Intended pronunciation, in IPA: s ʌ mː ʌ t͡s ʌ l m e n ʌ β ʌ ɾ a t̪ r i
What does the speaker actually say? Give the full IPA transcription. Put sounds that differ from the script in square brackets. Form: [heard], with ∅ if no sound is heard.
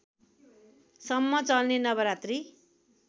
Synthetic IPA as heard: s ʌ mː ʌ t͡s ʌ l [n] e n ʌ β ʌ ɾ a t̪ r i